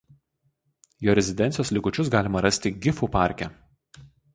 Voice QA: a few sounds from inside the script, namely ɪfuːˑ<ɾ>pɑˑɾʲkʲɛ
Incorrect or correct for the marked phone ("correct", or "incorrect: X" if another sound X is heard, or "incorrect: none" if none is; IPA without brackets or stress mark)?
incorrect: none